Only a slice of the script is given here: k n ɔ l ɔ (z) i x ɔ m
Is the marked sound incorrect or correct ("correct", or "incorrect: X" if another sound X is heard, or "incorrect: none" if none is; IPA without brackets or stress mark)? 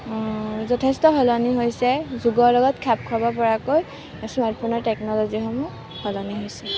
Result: correct